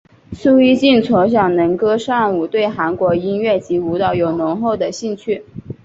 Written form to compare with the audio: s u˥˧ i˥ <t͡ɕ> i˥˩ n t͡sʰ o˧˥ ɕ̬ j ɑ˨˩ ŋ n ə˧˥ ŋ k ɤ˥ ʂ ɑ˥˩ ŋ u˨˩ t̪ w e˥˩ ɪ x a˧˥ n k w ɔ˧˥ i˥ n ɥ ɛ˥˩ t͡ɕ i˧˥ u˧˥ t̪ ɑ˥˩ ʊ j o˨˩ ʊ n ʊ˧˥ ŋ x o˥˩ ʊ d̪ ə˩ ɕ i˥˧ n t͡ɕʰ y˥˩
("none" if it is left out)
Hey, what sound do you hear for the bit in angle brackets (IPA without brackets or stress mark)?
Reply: t͡ɕ